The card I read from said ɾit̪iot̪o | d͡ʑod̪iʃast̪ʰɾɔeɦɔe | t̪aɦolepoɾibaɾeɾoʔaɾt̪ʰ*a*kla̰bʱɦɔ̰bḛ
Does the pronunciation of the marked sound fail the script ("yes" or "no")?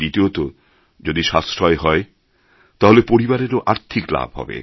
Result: yes